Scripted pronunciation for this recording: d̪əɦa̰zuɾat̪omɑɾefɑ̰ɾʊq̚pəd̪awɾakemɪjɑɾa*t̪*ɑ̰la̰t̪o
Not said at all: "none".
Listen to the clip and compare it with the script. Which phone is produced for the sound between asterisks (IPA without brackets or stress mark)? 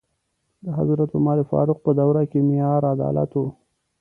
d̪